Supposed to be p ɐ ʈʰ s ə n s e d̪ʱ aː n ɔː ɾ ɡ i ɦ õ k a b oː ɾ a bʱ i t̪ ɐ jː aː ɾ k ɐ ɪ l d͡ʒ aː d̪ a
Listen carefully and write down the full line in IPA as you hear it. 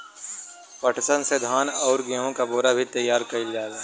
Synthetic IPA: p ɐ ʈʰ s ə n s e d̪ʱ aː n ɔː ɾ ɡ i ɦ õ k a b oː ɾ a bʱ i t̪ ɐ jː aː ɾ k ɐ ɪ l d͡ʒ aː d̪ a